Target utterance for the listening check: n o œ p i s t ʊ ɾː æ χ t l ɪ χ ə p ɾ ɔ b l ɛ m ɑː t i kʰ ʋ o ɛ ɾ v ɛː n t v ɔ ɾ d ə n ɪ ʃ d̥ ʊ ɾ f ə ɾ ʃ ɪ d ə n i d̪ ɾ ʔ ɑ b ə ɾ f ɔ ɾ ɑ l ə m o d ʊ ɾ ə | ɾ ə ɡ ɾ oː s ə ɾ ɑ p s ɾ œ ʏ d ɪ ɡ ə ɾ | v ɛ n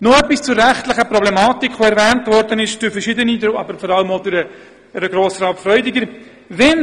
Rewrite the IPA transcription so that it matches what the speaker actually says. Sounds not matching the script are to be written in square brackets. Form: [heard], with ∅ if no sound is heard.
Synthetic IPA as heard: n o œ p i s [t͡s] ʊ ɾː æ χ t l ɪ χ ə p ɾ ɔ b l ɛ m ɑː t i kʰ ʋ o ɛ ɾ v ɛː n t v ɔ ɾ d ə n ɪ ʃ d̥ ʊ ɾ f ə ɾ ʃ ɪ d ə n i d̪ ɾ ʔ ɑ b ə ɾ f ɔ ɾ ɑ l ə m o d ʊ ɾ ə | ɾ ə ɡ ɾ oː s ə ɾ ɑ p [f] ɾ œ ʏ d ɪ ɡ ə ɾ | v ɛ n

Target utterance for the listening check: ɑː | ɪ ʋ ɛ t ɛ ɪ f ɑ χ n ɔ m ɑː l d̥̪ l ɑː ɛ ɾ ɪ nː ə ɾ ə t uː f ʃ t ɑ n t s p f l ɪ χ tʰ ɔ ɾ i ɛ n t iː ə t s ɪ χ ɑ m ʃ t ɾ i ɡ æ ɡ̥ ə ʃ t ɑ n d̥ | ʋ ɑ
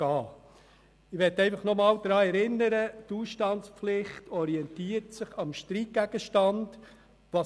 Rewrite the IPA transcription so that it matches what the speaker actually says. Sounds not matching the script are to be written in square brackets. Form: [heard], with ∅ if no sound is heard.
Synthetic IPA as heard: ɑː | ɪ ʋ ɛ t ɛ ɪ f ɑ χ n ɔ m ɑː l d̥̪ [ɾ] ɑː ɛ ɾ ɪ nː ə ɾ ə t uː [s] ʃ t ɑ n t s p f l ɪ χ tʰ ɔ ɾ i ɛ n t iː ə t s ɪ χ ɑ m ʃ t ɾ i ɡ æ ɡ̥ ə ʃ t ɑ n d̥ | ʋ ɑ

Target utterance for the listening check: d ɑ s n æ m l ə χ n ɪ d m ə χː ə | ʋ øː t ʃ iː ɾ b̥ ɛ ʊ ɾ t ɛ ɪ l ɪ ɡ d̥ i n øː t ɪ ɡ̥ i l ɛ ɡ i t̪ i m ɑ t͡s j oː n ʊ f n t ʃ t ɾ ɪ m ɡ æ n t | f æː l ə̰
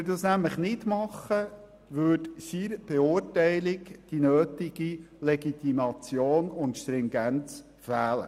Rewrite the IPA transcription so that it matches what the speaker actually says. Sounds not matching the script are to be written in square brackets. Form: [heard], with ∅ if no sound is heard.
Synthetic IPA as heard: d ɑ s n æ m l ə χ n ɪ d m [ɑ] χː ə | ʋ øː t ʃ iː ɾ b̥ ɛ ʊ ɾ t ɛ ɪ l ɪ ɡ d̥ i n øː t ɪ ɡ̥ i l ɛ ɡ i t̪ i m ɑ t͡s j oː n ʊ [∅] n t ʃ t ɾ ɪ [ŋ] ɡ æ n [t͡s] | f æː l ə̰

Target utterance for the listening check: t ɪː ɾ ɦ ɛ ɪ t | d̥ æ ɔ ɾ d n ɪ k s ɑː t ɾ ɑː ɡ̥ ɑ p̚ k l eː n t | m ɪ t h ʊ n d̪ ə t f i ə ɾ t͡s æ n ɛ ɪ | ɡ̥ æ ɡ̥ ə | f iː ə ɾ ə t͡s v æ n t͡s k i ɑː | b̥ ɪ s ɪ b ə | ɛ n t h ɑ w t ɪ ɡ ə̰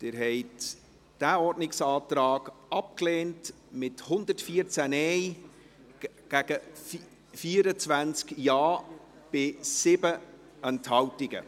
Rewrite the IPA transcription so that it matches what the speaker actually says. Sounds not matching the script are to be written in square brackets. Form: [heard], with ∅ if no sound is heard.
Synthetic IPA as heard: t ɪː ɾ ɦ ɛ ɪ t | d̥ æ ɔ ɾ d n ɪ k s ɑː t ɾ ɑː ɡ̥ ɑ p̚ k l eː n t | m ɪ t h ʊ n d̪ ə t f i ə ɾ t͡s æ n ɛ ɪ | ɡ̥ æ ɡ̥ ə | f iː ə ɾ ə t͡s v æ n t͡s k [j] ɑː | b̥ ɪ s ɪ b ə | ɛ n t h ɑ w t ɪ ɡ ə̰

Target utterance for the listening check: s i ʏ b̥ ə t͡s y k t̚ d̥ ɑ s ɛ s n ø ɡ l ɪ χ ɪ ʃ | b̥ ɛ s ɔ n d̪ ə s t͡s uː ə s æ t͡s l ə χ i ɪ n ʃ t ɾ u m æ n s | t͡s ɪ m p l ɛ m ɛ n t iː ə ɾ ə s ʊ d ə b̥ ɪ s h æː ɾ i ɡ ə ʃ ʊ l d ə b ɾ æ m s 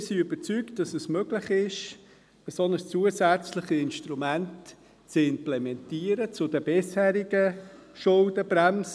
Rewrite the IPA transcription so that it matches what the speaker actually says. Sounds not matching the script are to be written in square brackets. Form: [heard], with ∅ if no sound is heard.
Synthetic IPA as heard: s i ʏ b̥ ə t͡s y k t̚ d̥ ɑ s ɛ s [m] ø ɡ l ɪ χ ɪ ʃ | b̥ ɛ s ɔ n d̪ ə s t͡s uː ə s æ t͡s l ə χ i ɪ n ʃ t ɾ u m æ n [t] | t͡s ɪ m p l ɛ m ɛ n t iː ə ɾ ə [t͡s] ʊ d ə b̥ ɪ s h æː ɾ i ɡ ə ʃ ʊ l d ə b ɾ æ m s

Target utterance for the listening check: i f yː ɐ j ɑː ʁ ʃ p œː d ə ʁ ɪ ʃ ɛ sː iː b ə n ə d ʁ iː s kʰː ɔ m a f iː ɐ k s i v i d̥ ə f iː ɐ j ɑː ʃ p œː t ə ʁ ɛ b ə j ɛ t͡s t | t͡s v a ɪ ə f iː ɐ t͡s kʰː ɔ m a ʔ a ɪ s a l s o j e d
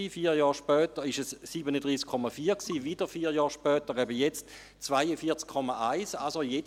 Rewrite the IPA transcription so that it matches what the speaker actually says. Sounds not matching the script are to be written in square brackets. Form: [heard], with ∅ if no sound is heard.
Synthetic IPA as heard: i f [iː] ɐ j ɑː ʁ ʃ p œː [t] ə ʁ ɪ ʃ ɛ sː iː b ə n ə d ʁ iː s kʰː ɔ m a f iː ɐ k s [iː] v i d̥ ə f iː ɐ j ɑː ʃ p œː t ə ʁ ɛ b ə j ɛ t͡s t | t͡s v a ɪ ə f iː ɐ t͡s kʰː ɔ m a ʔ a ɪ s a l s o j e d

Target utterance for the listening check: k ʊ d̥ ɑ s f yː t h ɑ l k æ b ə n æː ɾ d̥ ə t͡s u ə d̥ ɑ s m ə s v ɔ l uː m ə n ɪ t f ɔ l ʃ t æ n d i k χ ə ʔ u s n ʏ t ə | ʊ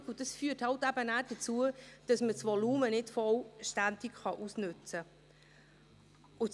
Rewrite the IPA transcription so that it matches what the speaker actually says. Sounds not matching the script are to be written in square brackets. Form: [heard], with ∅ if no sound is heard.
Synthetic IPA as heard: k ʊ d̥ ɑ s f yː t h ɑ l [t] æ b ə n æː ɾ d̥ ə t͡s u ə d̥ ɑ s m ə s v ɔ l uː m ə n ɪ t f ɔ l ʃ t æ n d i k χ [ɑ] ʔ u s n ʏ [t͡s] ə | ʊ

